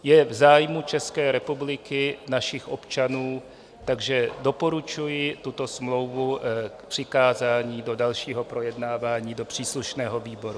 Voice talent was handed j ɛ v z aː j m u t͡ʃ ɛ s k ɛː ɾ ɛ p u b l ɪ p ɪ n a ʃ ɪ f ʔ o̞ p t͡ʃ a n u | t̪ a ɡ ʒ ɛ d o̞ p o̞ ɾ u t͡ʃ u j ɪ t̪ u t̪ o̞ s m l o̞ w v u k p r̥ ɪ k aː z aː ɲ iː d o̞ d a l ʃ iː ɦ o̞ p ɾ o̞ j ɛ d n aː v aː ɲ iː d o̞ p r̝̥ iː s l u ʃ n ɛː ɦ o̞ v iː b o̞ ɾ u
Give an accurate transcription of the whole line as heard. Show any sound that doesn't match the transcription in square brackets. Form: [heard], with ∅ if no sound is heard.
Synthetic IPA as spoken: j ɛ v z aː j m u t͡ʃ ɛ s k ɛː ɾ ɛ p u b l ɪ [k] ɪ n a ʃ ɪ [x] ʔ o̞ p t͡ʃ a n [uː] | t̪ a ɡ ʒ ɛ d o̞ p o̞ ɾ u t͡ʃ u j ɪ t̪ u t̪ o̞ s m l o̞ w v u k p r̥ ɪ k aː z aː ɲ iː d o̞ d a l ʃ iː ɦ o̞ p ɾ o̞ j ɛ d n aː v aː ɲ iː d o̞ p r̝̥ iː s l u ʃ n ɛː ɦ o̞ v iː b o̞ ɾ u